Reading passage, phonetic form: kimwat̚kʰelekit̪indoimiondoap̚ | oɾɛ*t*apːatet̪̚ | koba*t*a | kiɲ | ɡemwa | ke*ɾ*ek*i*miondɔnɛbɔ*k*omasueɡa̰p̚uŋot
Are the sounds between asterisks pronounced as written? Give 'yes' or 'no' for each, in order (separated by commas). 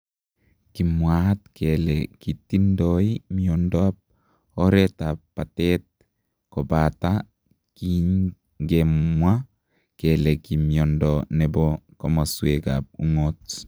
yes, yes, no, yes, yes